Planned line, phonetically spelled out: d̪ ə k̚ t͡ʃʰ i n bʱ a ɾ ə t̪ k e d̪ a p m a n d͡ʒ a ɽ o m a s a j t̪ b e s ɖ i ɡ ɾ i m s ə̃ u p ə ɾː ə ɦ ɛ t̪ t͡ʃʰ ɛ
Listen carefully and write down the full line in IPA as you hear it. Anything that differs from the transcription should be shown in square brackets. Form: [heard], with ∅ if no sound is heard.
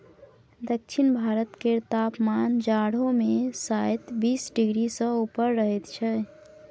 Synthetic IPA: d̪ ə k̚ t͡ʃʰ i n bʱ a ɾ ə t̪ k e [t̪] a p m a n d͡ʒ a ɽ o m [e] s a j t̪ b [i] s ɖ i ɡ ɾ i [∅] s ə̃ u p ə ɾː ə ɦ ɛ t̪ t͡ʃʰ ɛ

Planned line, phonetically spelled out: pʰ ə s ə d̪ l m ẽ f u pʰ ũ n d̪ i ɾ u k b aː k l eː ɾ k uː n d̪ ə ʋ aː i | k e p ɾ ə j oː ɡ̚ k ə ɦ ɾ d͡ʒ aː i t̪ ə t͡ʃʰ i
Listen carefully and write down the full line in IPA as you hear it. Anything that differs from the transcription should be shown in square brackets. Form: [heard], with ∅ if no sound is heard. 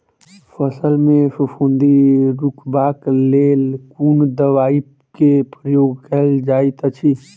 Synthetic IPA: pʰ ə s ə [∅] l m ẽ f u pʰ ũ n d̪ i ɾ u k b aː k l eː [l] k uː n d̪ ə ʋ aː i | k e p ɾ ə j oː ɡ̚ k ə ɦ [l] d͡ʒ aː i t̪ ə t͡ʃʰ i

